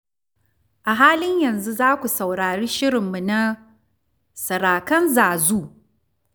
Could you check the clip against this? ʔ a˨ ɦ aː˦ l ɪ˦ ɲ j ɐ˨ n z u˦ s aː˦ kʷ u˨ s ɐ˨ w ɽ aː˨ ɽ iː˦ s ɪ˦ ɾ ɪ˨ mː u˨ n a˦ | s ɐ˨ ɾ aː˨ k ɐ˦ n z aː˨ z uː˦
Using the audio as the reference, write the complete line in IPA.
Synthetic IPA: ʔ a˨ ɦ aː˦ l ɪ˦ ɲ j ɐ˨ n z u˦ z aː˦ kʷ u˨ s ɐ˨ w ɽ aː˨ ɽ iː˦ ʃ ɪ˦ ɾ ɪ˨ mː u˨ n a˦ | s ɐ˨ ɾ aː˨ k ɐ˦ n z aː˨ z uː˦